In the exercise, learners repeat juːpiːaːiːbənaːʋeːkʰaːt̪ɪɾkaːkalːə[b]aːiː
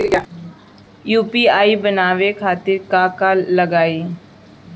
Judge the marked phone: incorrect: ɡ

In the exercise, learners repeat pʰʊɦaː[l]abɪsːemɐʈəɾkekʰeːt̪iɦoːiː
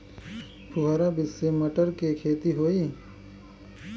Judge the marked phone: incorrect: ɾ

